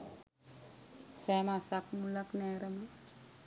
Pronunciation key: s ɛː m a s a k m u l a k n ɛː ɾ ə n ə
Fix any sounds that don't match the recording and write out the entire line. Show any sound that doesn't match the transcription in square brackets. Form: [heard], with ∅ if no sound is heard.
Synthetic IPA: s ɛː m a s a k m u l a k n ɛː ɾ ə [m] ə